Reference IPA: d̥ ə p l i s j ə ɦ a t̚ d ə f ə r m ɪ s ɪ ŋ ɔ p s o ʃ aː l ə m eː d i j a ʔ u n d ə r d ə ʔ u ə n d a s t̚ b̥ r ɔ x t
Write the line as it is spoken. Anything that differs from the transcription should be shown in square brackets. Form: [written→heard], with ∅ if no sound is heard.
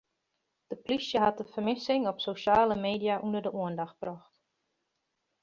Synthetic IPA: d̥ ə p l i s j ə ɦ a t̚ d ə f ə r m ɪ s ɪ ŋ ɔ p s o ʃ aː l ə m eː d i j a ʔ u n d ə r d ə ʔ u ə n d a [s→x] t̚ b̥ r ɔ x t